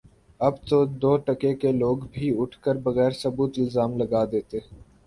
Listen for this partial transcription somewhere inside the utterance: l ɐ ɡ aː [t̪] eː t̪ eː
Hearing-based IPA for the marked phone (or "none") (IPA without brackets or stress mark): d̪